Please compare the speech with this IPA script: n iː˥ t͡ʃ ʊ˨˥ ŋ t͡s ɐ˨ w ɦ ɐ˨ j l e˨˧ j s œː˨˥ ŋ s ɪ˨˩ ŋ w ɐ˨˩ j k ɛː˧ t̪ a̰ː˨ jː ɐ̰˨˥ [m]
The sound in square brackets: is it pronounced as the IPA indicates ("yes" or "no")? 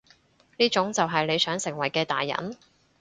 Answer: no